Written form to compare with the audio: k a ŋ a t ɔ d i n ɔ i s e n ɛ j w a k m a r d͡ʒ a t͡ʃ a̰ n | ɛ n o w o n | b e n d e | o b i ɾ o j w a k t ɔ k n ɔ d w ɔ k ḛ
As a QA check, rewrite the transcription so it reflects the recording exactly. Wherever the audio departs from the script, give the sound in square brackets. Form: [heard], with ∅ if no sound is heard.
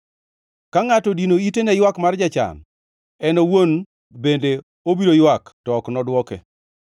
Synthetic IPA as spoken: k a ŋ a t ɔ d i n [o] i [t] e n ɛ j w a k m a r d͡ʒ a t͡ʃ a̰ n | ɛ n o w o n | b e n d e | o b i ɾ o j w a k t ɔ k n ɔ d w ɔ k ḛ